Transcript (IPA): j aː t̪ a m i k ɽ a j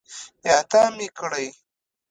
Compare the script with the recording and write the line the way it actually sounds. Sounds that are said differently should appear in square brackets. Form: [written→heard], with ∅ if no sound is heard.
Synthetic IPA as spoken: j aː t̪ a m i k ɽ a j